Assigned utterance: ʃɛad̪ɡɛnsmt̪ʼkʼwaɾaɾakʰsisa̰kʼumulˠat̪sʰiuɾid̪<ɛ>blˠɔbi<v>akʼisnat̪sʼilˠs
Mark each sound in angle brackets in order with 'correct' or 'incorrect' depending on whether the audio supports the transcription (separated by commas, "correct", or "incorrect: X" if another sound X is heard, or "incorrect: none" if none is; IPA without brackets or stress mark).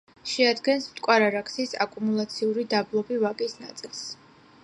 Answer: incorrect: a, correct